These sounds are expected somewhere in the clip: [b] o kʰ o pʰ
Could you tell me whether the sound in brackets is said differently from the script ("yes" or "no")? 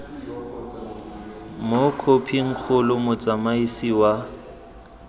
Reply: yes